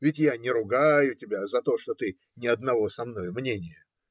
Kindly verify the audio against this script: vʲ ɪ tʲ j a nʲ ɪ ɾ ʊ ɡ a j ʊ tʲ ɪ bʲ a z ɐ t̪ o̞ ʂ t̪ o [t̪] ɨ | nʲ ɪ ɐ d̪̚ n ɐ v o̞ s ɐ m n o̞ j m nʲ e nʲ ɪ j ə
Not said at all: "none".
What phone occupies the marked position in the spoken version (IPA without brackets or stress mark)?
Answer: t̪